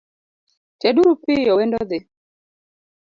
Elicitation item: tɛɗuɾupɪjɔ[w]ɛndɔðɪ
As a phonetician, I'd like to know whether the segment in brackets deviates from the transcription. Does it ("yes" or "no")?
no